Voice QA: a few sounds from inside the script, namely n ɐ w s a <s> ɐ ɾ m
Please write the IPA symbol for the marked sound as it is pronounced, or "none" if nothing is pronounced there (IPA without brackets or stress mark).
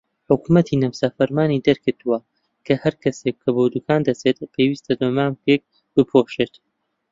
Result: f